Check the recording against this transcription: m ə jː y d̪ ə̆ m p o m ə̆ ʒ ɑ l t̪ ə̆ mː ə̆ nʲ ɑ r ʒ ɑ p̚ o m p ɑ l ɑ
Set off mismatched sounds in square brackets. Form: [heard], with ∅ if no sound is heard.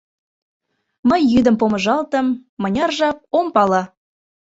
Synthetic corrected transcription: m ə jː y d̪ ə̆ m p o m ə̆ ʒ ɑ l t̪ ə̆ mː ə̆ nʲ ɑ r ʒ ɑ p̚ o m p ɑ l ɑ